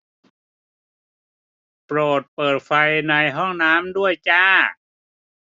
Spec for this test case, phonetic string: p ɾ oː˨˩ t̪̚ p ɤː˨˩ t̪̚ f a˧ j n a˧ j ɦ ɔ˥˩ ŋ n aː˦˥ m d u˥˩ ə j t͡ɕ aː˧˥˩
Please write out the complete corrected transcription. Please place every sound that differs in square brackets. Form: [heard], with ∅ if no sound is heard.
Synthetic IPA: p ɾ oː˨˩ t̪̚ p ɤː˨˩ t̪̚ f a˧ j n a˧ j ɦ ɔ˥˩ ŋ n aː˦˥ m d u˥˩ ə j t͡ɕ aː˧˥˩